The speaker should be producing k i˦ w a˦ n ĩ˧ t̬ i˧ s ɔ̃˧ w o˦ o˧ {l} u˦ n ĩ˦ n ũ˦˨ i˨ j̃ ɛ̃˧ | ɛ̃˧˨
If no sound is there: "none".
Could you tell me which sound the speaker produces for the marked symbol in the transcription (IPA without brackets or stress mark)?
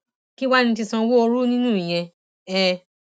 ɾ